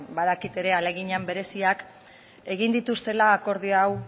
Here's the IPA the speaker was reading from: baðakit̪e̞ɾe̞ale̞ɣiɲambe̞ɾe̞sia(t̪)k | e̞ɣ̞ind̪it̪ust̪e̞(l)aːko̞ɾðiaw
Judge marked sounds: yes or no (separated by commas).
no, yes